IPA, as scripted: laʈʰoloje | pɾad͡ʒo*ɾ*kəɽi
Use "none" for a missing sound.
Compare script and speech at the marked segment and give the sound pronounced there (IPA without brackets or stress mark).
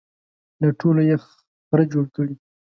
ɽ